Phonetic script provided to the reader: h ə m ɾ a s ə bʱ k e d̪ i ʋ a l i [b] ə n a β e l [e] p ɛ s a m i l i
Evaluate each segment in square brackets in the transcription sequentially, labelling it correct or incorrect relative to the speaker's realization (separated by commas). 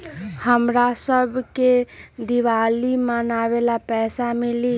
incorrect, incorrect